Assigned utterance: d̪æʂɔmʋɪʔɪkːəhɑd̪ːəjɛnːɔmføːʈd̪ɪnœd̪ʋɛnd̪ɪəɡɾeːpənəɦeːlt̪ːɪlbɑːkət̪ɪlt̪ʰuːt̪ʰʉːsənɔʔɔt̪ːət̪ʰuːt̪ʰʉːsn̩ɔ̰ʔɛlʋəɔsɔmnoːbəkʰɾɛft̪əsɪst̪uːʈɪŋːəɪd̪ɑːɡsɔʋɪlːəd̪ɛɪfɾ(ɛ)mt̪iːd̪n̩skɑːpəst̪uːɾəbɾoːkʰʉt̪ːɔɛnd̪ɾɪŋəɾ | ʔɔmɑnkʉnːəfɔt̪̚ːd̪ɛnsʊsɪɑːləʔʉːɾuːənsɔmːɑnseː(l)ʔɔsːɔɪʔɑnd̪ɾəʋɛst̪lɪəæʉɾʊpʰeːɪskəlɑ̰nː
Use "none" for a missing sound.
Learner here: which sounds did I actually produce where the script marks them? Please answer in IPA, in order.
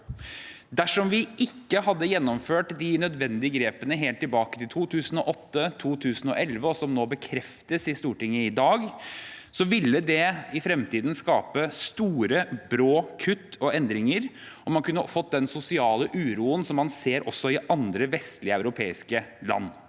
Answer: ɛ, ɾ

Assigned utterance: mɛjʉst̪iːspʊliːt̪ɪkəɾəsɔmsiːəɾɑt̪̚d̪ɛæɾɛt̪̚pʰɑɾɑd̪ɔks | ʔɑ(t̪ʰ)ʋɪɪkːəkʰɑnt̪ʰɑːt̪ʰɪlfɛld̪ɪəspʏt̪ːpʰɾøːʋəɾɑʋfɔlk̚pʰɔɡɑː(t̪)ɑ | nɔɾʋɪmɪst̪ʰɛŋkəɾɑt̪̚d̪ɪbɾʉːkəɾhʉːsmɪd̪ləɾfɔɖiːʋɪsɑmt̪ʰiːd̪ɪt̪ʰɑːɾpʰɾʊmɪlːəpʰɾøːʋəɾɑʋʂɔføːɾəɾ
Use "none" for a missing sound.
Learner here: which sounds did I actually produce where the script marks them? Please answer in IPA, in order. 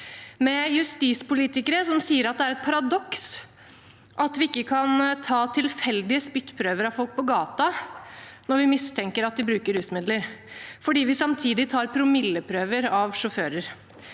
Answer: t̪, t̪

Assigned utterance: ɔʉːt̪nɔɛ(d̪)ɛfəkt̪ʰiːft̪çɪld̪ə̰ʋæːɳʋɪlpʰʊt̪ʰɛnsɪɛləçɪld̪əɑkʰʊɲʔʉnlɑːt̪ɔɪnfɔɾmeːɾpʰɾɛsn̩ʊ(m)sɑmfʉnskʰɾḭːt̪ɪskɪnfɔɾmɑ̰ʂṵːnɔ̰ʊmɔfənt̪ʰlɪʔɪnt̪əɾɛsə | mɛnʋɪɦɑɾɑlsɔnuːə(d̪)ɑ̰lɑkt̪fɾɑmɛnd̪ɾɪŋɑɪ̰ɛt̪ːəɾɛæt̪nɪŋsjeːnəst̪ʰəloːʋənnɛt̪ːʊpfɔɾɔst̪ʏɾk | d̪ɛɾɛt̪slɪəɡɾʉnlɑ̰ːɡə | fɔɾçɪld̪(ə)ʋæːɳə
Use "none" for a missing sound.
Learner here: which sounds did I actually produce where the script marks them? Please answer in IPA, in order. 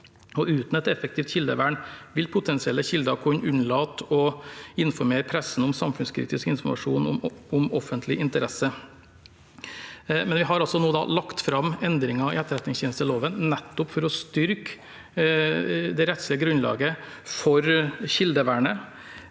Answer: t̪, m, d̪, ə

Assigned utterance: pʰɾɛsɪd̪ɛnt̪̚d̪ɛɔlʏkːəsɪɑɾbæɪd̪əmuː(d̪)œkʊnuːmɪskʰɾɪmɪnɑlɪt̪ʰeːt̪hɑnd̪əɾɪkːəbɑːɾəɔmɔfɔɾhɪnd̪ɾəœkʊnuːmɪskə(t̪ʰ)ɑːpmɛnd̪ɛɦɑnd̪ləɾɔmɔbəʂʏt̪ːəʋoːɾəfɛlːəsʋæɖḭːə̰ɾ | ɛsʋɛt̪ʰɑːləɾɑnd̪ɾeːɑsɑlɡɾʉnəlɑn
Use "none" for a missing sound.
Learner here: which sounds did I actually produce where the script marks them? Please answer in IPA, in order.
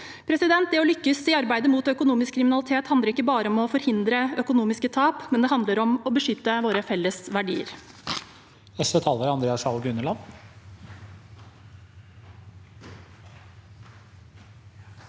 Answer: t̪, t̪ʰ

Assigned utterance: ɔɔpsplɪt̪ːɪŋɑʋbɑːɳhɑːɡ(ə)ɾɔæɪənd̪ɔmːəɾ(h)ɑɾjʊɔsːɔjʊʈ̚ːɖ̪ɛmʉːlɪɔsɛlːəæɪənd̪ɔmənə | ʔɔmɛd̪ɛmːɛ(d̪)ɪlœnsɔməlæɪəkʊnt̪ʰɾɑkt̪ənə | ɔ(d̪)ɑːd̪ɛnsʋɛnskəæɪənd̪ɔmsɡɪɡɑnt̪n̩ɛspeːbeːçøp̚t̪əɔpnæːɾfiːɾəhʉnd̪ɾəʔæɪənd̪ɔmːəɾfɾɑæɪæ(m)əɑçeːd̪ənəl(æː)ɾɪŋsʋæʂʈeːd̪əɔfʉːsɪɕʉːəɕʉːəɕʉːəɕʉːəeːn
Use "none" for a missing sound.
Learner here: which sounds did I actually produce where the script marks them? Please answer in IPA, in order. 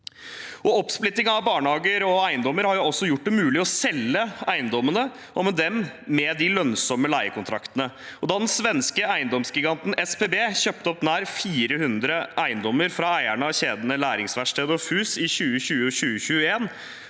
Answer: ə, h, d̪, d̪, ɳ, æː

